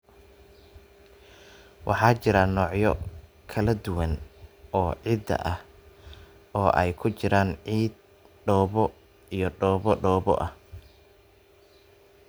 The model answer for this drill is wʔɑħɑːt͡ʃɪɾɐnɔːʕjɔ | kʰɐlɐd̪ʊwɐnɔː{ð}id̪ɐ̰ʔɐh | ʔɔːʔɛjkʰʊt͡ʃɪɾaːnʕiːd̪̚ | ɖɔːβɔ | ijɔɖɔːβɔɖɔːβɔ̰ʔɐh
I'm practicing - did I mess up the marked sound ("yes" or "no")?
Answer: yes